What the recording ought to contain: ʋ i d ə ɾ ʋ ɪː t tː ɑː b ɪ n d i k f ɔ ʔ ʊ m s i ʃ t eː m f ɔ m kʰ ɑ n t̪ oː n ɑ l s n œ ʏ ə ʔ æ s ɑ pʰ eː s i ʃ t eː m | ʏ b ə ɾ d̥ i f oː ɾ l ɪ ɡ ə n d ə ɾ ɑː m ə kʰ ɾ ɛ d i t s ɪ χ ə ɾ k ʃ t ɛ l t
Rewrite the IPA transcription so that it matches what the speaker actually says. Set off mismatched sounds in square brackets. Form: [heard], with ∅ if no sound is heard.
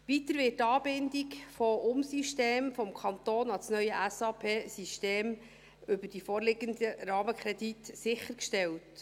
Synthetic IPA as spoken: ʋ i [t] ə ɾ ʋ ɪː t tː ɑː b ɪ n d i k f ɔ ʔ ʊ m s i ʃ t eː m f ɔ m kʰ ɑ n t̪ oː n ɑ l s n œ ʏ ə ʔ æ s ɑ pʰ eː s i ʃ t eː m | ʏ b ə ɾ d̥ i f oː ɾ l ɪ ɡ ə n d ə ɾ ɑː m ə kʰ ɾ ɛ d i t s ɪ χ ə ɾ k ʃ t ɛ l t